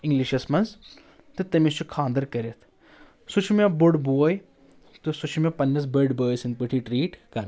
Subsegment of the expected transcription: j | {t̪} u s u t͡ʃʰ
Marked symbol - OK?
yes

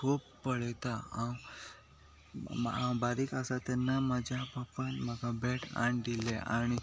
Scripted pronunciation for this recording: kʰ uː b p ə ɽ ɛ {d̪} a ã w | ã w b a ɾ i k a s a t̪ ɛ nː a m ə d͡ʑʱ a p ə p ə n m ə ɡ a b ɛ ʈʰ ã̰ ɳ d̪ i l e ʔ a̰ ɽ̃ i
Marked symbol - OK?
no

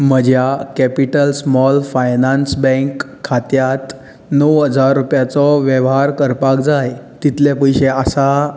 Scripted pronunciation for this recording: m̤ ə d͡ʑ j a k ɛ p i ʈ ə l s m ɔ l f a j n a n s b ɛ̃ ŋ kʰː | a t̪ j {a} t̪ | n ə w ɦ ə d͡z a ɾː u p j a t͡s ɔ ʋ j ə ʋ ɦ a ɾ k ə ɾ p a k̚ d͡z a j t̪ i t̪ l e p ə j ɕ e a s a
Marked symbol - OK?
yes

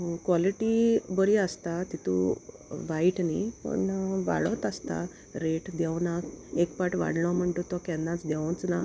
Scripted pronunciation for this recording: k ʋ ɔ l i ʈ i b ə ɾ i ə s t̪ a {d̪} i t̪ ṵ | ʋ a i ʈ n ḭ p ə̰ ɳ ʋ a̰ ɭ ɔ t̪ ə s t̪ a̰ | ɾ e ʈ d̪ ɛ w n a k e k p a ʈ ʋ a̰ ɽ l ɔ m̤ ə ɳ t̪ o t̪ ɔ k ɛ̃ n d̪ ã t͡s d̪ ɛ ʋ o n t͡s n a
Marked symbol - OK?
no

